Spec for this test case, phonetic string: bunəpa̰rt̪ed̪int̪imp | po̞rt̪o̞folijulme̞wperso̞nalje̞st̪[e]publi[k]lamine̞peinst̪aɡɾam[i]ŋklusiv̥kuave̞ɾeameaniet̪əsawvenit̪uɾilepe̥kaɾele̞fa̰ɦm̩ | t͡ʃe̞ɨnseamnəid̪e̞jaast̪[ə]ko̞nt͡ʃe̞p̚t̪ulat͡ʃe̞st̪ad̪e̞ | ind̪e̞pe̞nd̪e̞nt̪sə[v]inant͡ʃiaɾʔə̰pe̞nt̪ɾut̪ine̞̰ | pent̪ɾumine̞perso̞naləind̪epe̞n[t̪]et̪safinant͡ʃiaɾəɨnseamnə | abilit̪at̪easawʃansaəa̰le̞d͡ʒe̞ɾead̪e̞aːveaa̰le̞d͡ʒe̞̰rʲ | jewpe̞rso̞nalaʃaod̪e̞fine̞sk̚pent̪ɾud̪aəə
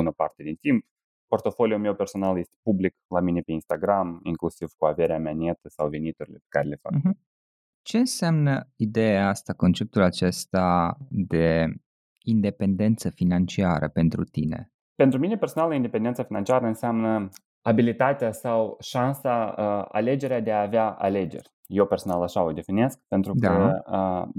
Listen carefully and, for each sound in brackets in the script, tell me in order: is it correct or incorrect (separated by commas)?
correct, correct, correct, incorrect, incorrect, incorrect